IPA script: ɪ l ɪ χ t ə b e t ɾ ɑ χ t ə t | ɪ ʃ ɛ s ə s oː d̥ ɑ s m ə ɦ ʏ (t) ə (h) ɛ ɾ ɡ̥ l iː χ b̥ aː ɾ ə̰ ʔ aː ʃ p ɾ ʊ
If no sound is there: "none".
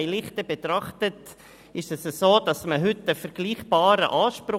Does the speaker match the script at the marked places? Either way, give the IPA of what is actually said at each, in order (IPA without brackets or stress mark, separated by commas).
t, f